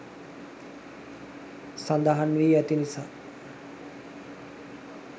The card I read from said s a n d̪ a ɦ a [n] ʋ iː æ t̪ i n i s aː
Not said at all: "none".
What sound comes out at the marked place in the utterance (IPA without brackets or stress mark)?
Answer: n